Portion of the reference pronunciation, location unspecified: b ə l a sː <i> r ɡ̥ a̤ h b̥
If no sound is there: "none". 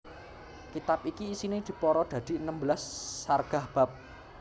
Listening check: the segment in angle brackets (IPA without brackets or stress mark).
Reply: a